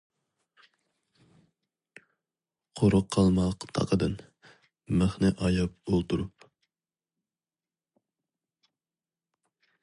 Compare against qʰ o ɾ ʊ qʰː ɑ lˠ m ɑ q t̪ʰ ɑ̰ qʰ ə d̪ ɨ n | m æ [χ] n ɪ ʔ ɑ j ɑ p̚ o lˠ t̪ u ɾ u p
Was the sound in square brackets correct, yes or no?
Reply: yes